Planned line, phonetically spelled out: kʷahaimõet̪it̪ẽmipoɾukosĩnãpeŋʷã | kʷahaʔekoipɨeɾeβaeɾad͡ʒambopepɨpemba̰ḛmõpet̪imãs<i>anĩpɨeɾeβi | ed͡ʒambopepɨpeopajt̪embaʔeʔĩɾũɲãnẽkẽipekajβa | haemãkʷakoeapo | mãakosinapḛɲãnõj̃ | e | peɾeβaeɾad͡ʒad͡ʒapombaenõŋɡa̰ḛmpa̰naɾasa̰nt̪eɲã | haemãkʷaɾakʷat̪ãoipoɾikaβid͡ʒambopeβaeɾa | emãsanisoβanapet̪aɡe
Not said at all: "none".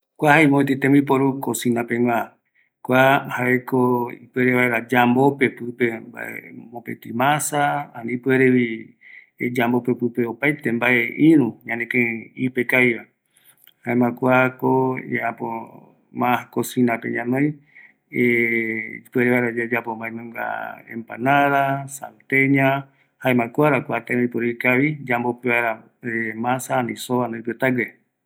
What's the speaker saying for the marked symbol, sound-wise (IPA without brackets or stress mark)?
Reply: a